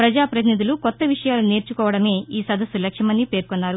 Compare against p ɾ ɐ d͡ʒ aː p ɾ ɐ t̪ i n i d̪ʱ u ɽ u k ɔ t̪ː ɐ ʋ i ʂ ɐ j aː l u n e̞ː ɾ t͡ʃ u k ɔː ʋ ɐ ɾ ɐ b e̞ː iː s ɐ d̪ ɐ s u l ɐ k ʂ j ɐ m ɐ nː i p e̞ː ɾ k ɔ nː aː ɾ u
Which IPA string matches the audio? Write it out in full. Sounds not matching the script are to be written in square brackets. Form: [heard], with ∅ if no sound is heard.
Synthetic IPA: p ɾ ɐ d͡ʒ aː p ɾ ɐ t̪ i n i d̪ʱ u [l] u k ɔ t̪ː ɐ ʋ i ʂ ɐ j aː l u n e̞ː ɾ t͡ʃ u k ɔː ʋ ɐ [ɽ] ɐ [m] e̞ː iː s ɐ d̪ ɐ s u l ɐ k ʂ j ɐ m ɐ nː i p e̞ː ɾ k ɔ nː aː ɾ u